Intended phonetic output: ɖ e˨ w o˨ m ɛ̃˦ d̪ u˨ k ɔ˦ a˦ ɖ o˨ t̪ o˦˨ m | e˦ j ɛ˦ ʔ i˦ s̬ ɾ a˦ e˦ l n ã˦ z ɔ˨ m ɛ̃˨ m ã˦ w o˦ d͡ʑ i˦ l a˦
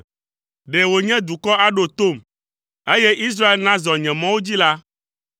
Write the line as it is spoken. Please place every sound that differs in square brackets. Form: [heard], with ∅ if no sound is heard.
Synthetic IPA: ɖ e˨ w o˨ [ɲ] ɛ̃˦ d̪ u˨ k ɔ˦ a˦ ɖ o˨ t̪ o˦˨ m | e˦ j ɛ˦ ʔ i˦ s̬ ɾ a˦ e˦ l n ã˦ z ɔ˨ [ɲ] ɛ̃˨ m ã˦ w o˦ d͡ʑ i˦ l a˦